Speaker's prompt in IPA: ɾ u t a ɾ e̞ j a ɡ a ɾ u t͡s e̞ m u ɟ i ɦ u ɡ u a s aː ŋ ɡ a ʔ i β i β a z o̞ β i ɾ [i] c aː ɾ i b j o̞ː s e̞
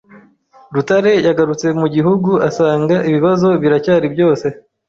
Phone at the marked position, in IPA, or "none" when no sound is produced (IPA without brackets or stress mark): a